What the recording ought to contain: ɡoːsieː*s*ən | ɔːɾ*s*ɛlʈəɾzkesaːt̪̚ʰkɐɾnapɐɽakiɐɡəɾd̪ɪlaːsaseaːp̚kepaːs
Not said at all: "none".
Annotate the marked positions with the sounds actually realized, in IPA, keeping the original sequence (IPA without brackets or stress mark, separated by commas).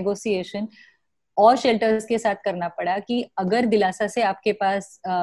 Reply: ʃ, ʃ